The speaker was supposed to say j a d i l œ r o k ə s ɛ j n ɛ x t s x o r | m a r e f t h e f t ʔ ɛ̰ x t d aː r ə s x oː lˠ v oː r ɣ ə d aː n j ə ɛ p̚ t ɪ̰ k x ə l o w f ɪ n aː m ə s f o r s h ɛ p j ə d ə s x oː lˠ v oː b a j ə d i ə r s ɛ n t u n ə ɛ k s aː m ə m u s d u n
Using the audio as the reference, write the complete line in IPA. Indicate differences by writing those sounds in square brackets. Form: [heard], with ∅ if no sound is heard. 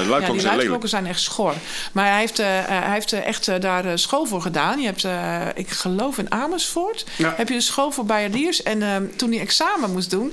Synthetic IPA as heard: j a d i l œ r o k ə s ɛ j n ɛ x t s x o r | m a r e f t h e f t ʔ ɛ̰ x t d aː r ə s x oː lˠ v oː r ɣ ə d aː n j ə ɛ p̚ t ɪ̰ k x ə l o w f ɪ n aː m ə s f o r [t] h ɛ p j ə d ə s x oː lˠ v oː b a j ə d i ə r s ɛ n t u n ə ɛ k s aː m ə m u s d u n